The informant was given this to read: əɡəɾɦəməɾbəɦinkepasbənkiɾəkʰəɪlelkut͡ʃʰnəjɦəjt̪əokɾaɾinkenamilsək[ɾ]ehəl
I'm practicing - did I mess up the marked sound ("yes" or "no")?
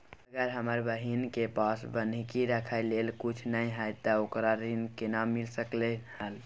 yes